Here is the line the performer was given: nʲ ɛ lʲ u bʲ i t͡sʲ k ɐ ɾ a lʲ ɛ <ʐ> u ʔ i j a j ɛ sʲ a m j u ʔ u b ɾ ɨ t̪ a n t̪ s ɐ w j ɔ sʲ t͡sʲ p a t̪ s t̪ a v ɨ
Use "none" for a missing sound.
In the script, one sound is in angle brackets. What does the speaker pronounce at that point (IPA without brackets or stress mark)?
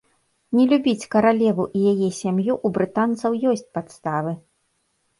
v